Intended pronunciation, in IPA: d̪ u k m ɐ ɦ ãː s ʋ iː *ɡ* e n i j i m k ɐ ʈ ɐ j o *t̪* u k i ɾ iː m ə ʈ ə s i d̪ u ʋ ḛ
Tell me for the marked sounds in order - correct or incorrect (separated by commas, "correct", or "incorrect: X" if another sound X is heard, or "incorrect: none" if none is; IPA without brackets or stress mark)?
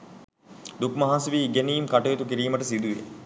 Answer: correct, correct